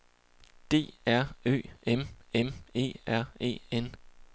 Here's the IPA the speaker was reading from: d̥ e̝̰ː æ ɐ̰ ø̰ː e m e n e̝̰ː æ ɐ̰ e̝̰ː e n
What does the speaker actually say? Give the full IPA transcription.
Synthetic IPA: d̥ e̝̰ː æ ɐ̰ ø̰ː e m e m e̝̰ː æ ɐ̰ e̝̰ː e n

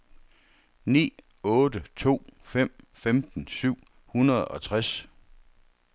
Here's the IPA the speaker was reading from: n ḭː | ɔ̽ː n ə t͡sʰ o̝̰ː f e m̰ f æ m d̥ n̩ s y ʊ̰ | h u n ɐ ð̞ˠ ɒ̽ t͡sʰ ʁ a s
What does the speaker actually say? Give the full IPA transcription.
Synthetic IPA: n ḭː | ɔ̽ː d ə t͡sʰ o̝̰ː f e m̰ f e m d̥ n̩ s y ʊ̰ | h u n ɐ ð̞ˠ ɒ̽ t͡sʰ ʁ a s

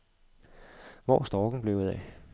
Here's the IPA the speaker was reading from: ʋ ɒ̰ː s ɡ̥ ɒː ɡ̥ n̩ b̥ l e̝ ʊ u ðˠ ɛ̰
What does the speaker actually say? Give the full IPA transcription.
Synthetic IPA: ʋ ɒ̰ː s d̥ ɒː ɡ̥ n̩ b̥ l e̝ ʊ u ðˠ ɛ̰

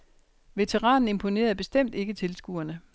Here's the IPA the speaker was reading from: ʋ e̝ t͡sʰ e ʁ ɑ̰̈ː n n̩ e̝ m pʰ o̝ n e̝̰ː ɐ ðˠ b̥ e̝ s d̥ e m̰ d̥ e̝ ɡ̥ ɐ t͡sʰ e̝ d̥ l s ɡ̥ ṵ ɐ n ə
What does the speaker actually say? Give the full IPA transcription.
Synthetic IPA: ʋ e̝ t͡sʰ e ʁ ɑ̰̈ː n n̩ e̝ m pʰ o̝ n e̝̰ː ɐ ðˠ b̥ e̝ s d̥ e m̰ d̥ e̝ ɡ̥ ə t͡sʰ e̝ l s ɡ̥ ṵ ɐ n ə

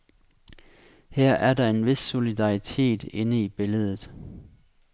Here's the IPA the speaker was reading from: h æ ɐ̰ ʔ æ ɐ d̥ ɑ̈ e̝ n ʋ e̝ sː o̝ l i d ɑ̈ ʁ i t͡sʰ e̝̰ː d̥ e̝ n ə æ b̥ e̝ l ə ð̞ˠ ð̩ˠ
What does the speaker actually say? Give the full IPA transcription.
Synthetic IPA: h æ ɐ̰ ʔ æ ɐ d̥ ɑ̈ e̝ n ʋ e̝ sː o̝ l i d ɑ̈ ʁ i t͡sʰ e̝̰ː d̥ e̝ n ə i b̥ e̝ l ə ð̞ˠ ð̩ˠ

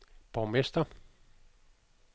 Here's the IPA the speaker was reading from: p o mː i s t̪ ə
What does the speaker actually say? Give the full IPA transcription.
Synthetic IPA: p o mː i s t̪ ɑ

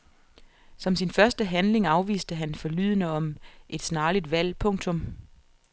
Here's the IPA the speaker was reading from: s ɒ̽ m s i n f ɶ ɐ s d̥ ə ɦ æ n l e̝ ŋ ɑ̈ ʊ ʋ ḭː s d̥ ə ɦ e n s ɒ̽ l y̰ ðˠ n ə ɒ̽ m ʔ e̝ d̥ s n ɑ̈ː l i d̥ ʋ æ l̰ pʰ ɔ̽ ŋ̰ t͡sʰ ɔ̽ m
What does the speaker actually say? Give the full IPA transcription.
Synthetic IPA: s ɒ̽ m s i n f ɶ ɐ s d̥ ə ɦ æ n l e̝ ŋ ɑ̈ ʊ ʋ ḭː s d̥ ə ɦ æ n f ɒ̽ l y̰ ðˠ n ə ɒ̽ m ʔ e̝ d̥ s n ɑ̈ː l i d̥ ʋ æ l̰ pʰ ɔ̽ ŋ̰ t͡sʰ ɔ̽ m

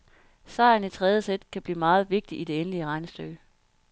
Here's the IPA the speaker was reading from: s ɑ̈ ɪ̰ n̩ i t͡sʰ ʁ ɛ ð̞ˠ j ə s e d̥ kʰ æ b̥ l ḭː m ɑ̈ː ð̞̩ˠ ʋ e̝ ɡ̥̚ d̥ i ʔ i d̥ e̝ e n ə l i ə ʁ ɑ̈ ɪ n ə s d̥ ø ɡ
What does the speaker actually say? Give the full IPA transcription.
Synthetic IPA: s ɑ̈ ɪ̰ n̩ i t͡sʰ ʁ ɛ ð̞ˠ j ə s e d̥ kʰ æ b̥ l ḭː m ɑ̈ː ð̞̩ˠ ʋ e̝ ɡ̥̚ d̥ i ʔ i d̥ e̝ e n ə l i ə ʁ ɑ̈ ɪ n ə s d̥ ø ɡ

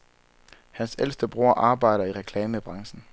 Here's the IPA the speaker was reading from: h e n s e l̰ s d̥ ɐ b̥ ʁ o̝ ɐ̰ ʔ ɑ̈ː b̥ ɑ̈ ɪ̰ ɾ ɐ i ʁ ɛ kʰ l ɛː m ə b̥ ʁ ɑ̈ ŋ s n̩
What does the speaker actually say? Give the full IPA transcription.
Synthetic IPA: h æ n s e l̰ s d̥ ə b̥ ʁ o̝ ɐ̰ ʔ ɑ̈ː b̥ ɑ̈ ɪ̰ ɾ ɐ i ʁ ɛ kʰ l ɛː m ə b̥ ʁ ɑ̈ ŋ s n̩

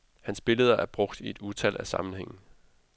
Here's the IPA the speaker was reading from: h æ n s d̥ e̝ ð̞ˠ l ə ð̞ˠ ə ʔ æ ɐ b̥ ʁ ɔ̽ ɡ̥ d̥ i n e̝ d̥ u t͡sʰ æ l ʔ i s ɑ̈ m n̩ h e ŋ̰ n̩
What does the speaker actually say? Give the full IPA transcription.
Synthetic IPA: h æ n s b̥ e̝ l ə ð̞ˠ ɐ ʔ æ ɐ b̥ ʁ ɔ̽ ɡ̥ d̥ i e̝ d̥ u t͡sʰ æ l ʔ æ s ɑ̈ m n̩ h e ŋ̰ n̩

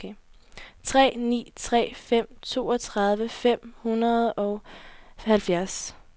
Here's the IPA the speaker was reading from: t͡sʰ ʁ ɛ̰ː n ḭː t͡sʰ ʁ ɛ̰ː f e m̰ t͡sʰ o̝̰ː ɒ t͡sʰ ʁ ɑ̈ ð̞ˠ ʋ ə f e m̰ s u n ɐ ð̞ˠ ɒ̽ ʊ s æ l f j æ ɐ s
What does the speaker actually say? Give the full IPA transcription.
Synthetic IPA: t͡sʰ ʁ ɛ̰ː n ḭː t͡sʰ ʁ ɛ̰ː f e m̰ t͡sʰ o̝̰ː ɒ t͡sʰ ʁ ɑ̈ ð̞ˠ ʋ ə f e m̰ h u n ɐ ð̞ˠ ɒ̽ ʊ h æ l f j æ ɐ s

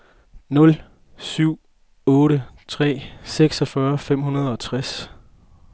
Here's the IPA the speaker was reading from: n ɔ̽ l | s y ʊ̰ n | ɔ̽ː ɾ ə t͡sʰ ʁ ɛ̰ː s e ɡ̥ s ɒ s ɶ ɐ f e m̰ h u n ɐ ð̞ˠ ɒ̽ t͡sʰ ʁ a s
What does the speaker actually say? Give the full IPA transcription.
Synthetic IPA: n ɔ̽ l | s y ʊ̰ | ɔ̽ː ɾ ə t͡sʰ ʁ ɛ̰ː s e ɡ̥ s ɒ f ɶ ɐ f e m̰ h u n ɐ ð̞ˠ ɒ̽ t͡sʰ ʁ a s

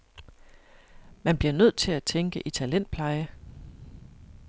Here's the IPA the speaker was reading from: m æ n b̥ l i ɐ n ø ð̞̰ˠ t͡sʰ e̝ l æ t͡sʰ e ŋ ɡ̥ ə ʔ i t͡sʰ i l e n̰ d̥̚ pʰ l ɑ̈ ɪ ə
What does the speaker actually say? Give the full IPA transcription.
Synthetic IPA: m æ n b̥ l i ɐ n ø ð̞̰ˠ t͡sʰ e̝ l æ t͡sʰ e ŋ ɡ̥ ə ʔ i t͡sʰ æ l e n̰ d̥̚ pʰ l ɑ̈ ɪ ə

